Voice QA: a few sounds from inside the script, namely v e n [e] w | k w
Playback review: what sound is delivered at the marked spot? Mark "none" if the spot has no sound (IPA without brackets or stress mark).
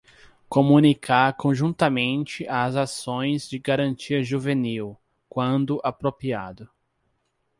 i